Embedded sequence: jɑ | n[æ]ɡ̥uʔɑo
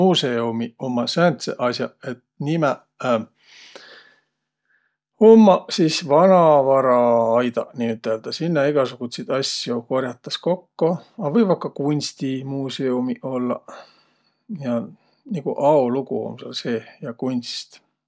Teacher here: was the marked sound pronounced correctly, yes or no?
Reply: no